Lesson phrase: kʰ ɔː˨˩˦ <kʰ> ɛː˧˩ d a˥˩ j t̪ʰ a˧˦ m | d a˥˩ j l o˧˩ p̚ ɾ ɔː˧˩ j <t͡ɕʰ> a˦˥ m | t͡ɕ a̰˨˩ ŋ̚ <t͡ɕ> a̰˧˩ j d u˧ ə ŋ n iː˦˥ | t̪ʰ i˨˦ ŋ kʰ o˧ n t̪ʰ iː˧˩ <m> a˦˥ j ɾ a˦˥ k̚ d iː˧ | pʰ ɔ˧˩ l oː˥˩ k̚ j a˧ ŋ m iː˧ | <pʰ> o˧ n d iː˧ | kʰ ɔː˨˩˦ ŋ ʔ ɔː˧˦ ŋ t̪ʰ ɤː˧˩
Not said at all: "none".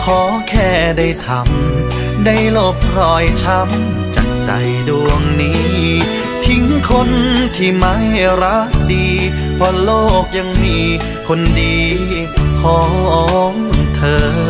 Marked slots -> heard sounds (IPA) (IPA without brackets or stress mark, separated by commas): kʰ, t͡ɕʰ, t͡ɕ, m, kʰ